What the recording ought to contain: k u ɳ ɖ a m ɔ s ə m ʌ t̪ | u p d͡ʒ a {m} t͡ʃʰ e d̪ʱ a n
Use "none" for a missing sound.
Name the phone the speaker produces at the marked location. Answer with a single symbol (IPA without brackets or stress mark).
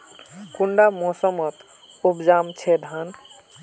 m